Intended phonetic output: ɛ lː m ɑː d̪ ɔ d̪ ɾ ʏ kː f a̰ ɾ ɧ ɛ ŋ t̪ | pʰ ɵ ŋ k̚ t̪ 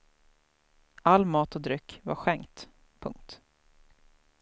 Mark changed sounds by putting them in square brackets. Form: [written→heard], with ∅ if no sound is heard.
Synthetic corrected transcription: [ɛ→a] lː m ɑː [d̪→t̪] ɔ d̪ ɾ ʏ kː [f→v] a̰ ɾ ɧ ɛ ŋ t̪ | pʰ ɵ ŋ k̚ t̪